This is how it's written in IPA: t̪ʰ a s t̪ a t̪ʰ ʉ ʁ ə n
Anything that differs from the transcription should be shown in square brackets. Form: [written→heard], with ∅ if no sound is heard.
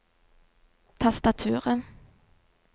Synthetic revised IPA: t̪ʰ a s t̪ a t̪ʰ [ʉ→ʉː] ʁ ə n